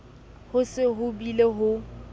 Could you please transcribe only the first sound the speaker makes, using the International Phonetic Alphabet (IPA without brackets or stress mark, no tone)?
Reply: h